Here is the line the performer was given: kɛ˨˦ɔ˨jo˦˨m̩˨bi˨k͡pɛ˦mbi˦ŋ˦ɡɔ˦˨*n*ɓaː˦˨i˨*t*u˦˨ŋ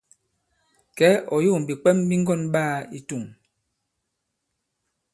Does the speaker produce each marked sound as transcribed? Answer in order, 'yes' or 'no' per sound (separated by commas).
yes, yes